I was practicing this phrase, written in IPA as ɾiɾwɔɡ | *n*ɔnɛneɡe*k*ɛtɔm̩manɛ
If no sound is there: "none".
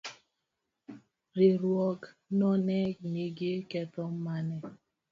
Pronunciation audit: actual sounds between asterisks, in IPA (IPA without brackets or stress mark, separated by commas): n, k